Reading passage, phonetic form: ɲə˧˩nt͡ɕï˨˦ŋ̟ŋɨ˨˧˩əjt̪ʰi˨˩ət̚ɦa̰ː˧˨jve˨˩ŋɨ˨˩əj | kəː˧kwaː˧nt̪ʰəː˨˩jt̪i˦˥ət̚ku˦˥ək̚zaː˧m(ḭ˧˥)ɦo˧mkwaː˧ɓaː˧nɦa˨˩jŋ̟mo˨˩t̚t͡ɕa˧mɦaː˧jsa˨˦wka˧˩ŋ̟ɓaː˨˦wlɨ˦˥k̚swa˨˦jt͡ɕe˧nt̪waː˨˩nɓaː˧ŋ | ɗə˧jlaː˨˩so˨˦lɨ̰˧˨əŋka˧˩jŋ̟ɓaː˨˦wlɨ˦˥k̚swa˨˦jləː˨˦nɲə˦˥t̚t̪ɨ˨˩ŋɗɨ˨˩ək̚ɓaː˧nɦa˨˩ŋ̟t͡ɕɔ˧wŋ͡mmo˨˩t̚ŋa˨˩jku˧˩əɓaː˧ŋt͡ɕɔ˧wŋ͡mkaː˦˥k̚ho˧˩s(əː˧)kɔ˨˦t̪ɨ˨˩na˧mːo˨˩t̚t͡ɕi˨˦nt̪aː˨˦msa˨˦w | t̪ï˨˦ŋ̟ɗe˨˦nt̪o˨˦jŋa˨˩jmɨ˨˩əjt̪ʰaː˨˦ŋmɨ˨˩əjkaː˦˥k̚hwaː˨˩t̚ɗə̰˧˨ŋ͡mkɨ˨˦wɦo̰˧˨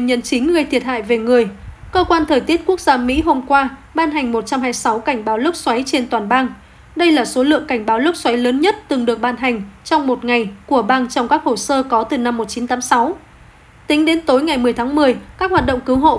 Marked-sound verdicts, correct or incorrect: correct, correct

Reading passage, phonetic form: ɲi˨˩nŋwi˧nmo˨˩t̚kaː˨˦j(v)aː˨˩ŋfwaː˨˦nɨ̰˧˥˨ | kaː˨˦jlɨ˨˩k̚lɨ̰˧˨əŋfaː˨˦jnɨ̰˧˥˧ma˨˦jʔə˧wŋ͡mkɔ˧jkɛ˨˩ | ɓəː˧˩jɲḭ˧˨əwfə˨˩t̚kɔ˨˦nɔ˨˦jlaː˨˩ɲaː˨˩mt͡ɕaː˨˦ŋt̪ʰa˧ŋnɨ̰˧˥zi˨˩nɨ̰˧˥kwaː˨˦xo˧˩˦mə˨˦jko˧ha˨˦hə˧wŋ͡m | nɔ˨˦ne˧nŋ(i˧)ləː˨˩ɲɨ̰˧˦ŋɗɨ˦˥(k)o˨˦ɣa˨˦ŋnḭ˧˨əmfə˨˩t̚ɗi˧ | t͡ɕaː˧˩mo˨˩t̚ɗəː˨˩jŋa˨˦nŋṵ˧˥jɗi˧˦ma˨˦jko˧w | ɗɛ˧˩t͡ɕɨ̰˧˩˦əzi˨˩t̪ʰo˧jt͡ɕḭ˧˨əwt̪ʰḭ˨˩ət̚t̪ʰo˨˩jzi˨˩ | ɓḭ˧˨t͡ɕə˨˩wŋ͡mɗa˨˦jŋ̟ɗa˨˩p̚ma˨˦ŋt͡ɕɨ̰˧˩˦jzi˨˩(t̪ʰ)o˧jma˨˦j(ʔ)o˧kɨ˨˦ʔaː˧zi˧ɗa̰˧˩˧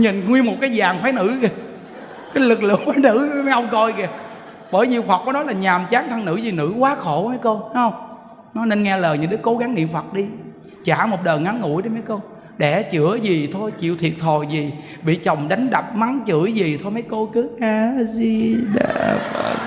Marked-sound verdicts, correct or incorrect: incorrect: z, incorrect: ɛ˧, correct, correct, incorrect: k

